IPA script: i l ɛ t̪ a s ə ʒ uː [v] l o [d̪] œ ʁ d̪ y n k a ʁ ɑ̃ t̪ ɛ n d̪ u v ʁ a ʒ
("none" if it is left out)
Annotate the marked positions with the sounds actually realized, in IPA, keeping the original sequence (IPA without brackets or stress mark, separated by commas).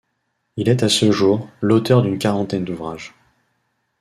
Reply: ʁ, t̪